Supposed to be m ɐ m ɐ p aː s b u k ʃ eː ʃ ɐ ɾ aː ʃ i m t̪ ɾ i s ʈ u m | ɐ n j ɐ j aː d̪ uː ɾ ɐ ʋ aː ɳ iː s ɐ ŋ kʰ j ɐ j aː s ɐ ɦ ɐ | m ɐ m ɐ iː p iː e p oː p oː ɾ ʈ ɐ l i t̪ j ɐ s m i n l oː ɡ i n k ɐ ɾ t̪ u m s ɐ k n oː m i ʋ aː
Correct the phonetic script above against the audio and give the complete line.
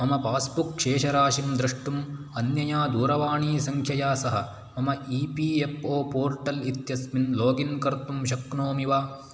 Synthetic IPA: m ɐ m ɐ p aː s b u k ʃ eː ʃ ɐ ɾ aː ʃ i m d̪ ɾ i ʂ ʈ u m | ɐ n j ɐ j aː d̪ uː ɾ ɐ ʋ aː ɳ iː s ɐ ŋ kʰ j ɐ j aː s ɐ ɦ ɐ | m ɐ m ɐ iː p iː e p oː p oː ɾ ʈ ɐ l i t̪ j ɐ s m i n l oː ɡ i n k ɐ ɾ t̪ u m ʃ ɐ k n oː m i ʋ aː

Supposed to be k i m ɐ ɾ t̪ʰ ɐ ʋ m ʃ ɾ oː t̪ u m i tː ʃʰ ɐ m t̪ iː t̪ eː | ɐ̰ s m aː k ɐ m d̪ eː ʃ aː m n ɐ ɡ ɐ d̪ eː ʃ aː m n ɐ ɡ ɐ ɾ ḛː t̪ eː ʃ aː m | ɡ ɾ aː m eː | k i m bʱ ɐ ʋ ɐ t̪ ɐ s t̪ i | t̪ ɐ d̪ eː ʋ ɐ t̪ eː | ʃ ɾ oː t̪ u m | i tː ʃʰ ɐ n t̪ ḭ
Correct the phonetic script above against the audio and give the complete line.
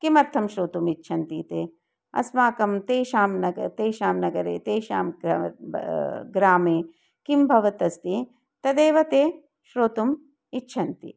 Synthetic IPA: k i m ɐ ɾ t̪ʰ ɐ m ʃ ɾ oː t̪ u m i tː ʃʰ ɐ n t̪ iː t̪ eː | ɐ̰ s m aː k ɐ m t̪ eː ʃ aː m n ɐ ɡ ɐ t̪ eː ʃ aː m n ɐ ɡ ɐ ɾ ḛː t̪ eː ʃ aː m | ɡ ɾ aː m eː | k i m bʱ ɐ ʋ ɐ t̪ ɐ s t̪ i | t̪ ɐ d̪ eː ʋ ɐ t̪ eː | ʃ ɾ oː t̪ u m | i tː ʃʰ ɐ n t̪ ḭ

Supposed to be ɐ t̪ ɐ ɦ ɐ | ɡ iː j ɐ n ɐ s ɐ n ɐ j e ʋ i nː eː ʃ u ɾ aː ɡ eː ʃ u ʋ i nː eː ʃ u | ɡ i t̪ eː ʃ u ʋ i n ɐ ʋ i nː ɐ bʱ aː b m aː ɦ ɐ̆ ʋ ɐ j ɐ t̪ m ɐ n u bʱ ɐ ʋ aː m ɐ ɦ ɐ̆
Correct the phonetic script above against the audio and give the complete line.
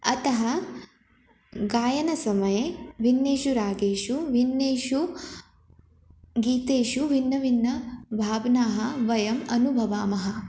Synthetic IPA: ɐ t̪ ɐ ɦ ɐ | ɡ aː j ɐ n ɐ s ɐ m ɐ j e ʋ i nː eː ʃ u ɾ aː ɡ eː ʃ u ʋ i nː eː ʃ u | ɡ iː t̪ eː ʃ u ʋ i nː ɐ ʋ i nː ɐ bʱ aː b n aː ɦ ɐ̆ ʋ ɐ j ɐ m ɐ n u bʱ ɐ ʋ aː m ɐ ɦ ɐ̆

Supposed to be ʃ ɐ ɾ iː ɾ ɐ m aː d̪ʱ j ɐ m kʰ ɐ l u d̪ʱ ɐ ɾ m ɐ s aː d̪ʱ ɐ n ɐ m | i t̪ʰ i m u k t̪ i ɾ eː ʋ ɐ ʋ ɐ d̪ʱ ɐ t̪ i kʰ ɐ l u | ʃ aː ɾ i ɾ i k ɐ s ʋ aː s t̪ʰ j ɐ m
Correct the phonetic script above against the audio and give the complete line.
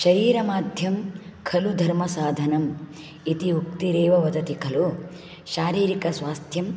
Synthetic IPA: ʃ ɐ ɾ iː ɾ ɐ m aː d̪ʱ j ɐ m kʰ ɐ l u d̪ʱ ɐ ɾ m ɐ s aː d̪ʱ ɐ n ɐ m | i t̪ i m u k t̪ i ɾ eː ʋ ɐ ʋ ɐ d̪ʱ ɐ t̪ i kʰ ɐ l u | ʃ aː ɾ iː ɾ i k ɐ s ʋ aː s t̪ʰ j ɐ m

